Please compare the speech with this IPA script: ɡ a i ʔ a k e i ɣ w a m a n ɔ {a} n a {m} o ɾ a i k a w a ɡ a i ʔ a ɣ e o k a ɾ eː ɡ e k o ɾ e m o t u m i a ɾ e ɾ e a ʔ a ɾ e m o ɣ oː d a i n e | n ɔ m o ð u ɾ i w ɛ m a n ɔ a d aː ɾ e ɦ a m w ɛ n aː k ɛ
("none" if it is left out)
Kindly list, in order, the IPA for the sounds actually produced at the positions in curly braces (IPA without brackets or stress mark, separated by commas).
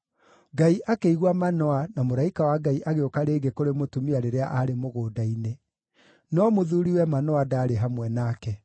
a, m